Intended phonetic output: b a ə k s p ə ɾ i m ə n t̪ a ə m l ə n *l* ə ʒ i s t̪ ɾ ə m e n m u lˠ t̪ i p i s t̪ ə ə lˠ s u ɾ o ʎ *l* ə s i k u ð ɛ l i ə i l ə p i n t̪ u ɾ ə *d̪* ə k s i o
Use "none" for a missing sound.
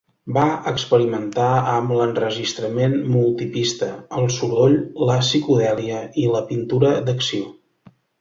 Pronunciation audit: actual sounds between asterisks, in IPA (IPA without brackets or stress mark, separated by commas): r, l, d̪